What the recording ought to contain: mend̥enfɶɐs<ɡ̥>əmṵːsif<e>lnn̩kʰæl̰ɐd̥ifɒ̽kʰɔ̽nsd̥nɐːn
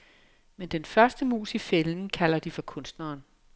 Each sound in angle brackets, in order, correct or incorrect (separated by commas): incorrect, correct